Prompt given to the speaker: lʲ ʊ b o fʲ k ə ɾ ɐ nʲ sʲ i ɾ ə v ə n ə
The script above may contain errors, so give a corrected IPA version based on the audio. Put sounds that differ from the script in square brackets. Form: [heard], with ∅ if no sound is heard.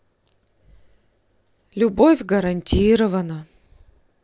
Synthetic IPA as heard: lʲ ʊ b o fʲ [ɡ] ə ɾ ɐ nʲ [tʲ] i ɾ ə v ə n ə

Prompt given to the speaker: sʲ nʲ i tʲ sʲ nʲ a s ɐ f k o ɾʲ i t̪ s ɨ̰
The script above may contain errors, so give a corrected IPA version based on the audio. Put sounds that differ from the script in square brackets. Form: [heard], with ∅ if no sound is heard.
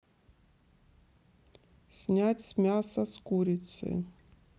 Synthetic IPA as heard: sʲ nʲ [a] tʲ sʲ [mʲ] a s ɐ [s] k [u] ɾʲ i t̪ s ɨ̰

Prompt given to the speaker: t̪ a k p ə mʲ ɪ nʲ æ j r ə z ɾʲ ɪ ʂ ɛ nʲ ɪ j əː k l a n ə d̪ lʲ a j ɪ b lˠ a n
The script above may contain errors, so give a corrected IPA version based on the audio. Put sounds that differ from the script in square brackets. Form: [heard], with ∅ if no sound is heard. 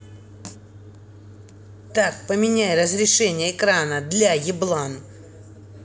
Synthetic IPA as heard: t̪ a k p ə mʲ ɪ nʲ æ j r ə z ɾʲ ɪ ʂ ɛ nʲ ɪ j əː k [ɾ] a n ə d̪ lʲ a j ɪ b lˠ a n

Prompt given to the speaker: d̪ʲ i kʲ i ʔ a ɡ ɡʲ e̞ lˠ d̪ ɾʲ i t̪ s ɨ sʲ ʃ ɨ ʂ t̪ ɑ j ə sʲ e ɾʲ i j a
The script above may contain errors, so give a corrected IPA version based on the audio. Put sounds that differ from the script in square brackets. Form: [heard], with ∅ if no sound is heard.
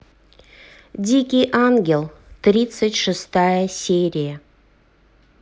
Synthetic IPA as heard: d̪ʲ i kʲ i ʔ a [ŋ] ɡʲ e̞ lˠ [t̪] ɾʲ i t̪ s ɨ [tʲ] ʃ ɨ [s] t̪ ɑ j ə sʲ e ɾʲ i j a

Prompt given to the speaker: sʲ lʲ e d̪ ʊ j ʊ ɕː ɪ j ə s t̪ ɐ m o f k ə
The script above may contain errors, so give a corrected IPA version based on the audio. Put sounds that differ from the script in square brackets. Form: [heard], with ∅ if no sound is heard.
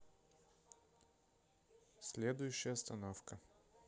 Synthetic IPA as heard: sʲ lʲ e d̪ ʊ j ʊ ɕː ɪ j ə s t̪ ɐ [n] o f k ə

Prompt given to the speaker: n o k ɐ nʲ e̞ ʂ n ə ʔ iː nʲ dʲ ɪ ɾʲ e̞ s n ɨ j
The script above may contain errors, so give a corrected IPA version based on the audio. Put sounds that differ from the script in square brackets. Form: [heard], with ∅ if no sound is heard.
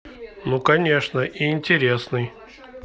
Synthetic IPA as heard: n [u] k ɐ nʲ e̞ ʂ n ə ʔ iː nʲ [tʲ] ɪ ɾʲ e̞ s n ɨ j

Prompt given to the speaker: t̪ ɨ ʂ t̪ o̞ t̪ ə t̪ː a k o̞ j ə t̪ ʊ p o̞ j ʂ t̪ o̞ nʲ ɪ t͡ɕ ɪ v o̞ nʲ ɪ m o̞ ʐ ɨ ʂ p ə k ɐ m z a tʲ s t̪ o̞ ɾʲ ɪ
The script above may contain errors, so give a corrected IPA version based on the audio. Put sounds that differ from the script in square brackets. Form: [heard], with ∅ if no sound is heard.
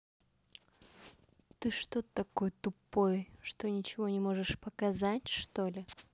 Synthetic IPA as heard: t̪ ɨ ʂ t̪ o̞ t̪ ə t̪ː [ɐ] k o̞ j ə t̪ ʊ p o̞ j ʂ t̪ o̞ nʲ ɪ t͡ɕ ɪ v o̞ nʲ ɪ m o̞ ʐ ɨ ʂ p ə k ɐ [∅] z a tʲ [ʂ] t̪ o̞ [lʲ] ɪ

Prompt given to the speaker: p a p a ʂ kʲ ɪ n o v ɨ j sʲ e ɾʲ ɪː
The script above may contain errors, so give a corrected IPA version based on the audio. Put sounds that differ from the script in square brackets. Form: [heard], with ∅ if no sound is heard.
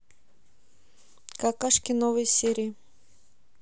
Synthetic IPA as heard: [k] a [k] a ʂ kʲ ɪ n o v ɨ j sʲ e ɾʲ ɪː

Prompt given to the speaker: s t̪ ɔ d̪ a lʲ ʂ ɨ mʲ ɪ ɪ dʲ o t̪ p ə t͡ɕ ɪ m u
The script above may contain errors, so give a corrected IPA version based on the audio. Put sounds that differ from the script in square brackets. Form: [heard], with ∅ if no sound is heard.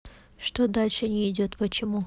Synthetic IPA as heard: [ʂ] t̪ [o] d̪ a lʲ ʂ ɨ [nʲ] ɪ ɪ dʲ o t̪ p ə t͡ɕ ɪ m u

